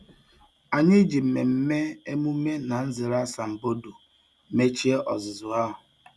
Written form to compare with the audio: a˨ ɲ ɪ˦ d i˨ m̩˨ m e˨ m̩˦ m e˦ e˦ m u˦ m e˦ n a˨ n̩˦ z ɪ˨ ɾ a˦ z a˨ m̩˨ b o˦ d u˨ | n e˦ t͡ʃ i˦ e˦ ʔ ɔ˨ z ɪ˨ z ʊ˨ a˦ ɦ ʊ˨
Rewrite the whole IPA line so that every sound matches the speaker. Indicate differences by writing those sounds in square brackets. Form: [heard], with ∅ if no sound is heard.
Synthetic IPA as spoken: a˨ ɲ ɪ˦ [d͡ʒ] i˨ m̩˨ m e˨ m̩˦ m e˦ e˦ m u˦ m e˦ n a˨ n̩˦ z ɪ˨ ɾ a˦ [s] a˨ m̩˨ b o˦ d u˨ | [m] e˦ t͡ʃ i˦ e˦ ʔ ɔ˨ z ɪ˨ z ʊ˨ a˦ ɦ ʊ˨